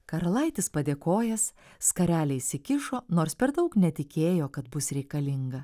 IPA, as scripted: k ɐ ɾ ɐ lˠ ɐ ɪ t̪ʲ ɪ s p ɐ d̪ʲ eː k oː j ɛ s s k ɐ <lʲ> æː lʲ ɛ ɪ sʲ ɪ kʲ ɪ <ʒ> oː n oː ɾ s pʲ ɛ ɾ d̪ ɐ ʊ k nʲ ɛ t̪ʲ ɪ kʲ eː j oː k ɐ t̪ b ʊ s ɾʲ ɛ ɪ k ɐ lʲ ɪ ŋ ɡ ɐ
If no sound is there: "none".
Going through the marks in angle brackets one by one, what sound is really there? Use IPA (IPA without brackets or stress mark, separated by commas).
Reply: ɾʲ, ʃ